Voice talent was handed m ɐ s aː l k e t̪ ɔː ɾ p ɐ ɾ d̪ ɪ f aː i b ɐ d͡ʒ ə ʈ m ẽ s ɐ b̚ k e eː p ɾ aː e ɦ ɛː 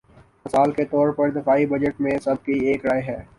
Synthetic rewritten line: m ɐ s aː l k e t̪ ɔː ɾ p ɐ ɾ d̪ ɪ f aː i b ɐ d͡ʒ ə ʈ m ẽ s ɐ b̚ k i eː k ɾ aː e ɦ ɛː